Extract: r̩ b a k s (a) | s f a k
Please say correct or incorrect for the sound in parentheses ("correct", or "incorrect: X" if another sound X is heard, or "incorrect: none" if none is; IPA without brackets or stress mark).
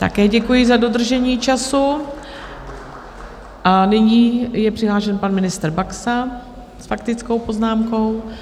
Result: correct